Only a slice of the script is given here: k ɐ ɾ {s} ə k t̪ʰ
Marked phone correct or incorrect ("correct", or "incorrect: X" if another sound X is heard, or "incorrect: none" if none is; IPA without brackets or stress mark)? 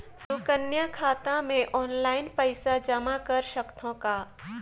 incorrect: ʃ